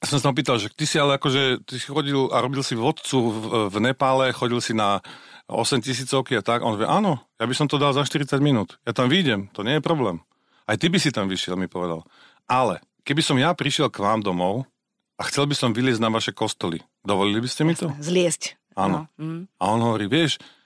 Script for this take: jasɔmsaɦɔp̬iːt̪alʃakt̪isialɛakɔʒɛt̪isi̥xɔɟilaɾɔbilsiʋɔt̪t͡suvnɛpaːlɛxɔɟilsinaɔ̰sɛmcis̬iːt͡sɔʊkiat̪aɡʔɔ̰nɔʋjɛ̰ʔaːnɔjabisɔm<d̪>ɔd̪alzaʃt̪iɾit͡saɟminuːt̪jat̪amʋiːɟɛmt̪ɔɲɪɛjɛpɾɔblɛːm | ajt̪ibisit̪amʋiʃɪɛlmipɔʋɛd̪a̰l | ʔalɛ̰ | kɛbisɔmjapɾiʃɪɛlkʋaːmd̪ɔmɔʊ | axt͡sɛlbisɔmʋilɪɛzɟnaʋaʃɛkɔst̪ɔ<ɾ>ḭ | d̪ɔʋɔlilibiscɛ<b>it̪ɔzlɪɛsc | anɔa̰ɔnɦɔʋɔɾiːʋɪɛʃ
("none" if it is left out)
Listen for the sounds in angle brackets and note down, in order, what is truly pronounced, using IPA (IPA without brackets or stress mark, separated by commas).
t̪, l, m